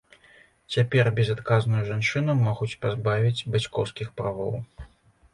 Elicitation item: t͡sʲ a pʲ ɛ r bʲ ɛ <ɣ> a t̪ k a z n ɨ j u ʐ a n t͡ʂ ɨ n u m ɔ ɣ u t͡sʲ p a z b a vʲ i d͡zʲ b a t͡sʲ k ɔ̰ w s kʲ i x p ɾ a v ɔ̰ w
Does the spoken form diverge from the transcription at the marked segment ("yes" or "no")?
yes